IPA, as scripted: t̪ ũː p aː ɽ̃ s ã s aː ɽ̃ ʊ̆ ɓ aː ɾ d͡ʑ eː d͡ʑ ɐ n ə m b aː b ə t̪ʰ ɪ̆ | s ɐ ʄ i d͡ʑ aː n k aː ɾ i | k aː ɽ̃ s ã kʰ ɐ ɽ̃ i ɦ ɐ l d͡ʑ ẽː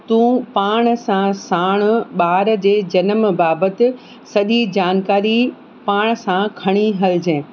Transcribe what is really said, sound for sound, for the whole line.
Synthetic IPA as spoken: t̪ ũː p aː ɽ̃ s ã s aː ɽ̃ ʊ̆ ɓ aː ɾ d͡ʑ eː d͡ʑ ɐ n ə m b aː b ə t̪ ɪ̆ | s ɐ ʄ i d͡ʑ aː n k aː ɾ i | p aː ɽ̃ s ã kʰ ɐ ɽ̃ i ɦ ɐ l d͡ʑ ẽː